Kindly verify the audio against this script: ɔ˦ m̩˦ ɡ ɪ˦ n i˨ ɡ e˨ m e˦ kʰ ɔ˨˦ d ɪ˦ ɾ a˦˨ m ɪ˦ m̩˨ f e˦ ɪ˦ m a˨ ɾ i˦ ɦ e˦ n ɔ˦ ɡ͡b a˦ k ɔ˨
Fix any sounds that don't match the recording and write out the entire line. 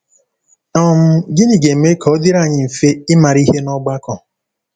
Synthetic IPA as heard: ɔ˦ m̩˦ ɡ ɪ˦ n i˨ ɡ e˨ m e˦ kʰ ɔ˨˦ d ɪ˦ ɾ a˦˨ ɲ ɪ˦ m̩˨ f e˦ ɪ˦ m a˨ ɾ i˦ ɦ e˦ n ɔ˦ ɡ͡b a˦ k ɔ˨